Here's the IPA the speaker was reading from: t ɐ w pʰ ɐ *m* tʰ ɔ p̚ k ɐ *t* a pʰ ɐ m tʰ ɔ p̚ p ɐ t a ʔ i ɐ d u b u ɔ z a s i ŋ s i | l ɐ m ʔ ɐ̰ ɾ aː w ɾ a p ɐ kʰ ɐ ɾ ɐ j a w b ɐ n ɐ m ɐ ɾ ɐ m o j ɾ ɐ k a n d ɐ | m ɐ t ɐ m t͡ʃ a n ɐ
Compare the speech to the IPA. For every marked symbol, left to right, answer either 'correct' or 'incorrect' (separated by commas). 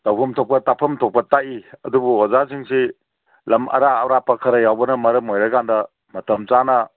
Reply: correct, correct